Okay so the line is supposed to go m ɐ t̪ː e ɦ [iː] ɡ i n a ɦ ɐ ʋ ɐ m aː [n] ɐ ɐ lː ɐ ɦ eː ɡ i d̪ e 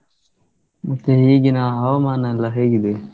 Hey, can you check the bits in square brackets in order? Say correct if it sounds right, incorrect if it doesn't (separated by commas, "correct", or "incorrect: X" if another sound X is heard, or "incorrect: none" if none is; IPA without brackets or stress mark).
correct, correct